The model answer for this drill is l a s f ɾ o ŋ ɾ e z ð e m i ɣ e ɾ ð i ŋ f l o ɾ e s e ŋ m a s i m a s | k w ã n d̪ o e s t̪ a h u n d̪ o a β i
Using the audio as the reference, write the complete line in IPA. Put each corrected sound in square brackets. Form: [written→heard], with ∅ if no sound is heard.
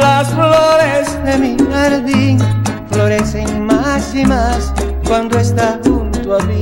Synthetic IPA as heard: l a s f [ɾ→l] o [ŋ→∅] ɾ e z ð e m i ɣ [e→a] ɾ ð i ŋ f l o ɾ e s e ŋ m a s i m a s | k w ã n d̪ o e s t̪ a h u n [d̪→t̪] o a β i